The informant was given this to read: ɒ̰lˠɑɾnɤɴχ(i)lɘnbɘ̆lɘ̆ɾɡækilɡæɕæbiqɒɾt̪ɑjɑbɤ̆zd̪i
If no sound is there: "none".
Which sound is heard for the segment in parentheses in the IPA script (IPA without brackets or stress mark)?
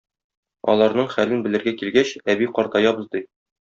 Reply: æ